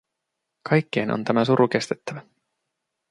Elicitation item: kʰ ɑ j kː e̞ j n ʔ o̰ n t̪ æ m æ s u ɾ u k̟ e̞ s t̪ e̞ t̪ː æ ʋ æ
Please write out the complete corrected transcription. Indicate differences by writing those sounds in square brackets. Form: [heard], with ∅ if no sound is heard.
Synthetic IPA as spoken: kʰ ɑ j kː e̞ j n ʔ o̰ n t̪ æ m æ s u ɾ u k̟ e̞ s t̪ e̞ t̪ː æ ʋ æ